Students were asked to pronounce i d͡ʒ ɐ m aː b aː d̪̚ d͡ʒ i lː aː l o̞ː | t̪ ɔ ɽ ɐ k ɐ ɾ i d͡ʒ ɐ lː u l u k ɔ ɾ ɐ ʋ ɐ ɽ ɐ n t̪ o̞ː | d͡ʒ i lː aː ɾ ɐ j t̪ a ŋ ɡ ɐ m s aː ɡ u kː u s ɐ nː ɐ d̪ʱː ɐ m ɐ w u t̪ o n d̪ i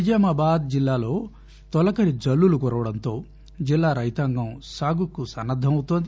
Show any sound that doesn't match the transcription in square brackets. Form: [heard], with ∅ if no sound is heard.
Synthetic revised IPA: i d͡ʒ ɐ m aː b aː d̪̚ d͡ʒ i lː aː l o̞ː | t̪ ɔ [l] ɐ k ɐ ɾ i d͡ʒ ɐ lː u l u k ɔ ɾ ɐ ʋ ɐ ɽ ɐ n t̪ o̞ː | d͡ʒ i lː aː ɾ ɐ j t̪ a ŋ ɡ ɐ m s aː ɡ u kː u s ɐ nː ɐ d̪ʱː ɐ m ɐ w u t̪ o n d̪ i